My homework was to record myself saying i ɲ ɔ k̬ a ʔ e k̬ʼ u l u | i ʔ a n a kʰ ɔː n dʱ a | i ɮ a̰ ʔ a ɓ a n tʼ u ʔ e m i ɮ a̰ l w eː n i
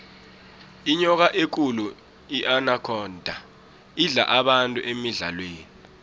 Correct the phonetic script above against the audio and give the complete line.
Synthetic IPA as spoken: i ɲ ɔ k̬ a ʔ e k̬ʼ u l u | i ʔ a n a kʰ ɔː n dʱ a | i ɮ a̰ ʔ a ɓ a n tʼ u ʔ e m i ɮ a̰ l w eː n i